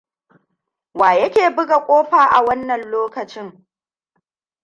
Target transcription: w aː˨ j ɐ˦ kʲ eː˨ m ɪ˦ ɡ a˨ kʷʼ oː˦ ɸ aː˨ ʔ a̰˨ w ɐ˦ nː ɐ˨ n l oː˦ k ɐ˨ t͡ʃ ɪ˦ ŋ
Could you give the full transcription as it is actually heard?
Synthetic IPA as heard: w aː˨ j ɐ˦ kʲ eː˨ b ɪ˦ ɡ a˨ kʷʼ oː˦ ɸ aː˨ ʔ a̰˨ w ɐ˦ nː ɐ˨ n l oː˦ k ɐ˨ t͡ʃ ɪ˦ ŋ